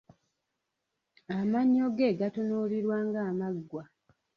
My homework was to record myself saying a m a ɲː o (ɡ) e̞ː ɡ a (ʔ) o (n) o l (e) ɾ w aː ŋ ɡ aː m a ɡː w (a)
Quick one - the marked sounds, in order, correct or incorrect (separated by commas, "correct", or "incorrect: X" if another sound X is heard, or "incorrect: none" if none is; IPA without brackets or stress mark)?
correct, incorrect: t, correct, incorrect: i, correct